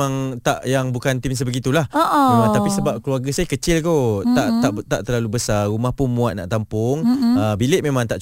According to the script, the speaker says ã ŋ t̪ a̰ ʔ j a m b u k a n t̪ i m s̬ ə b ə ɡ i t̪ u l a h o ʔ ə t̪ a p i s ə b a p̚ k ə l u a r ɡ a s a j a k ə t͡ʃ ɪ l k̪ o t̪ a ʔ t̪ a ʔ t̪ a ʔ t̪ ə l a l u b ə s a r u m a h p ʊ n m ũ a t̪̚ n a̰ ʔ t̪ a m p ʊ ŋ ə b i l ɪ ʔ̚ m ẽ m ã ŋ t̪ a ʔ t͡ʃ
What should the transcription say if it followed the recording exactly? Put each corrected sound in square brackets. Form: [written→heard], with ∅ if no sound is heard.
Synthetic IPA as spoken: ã ŋ t̪ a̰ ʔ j a [m→ŋ] b u k a n t̪ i m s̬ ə b ə ɡ i t̪ u l a h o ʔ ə t̪ a p i s ə b a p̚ k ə l u a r ɡ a s a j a k ə t͡ʃ ɪ l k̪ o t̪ a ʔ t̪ a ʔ t̪ a ʔ t̪ ə l a l u b ə s a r u m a h p ʊ n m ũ a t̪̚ n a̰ ʔ t̪ a m p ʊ ŋ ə b i l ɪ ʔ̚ m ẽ m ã ŋ t̪ a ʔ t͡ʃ